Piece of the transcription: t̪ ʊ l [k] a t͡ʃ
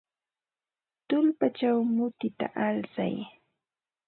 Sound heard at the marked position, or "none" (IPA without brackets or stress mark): p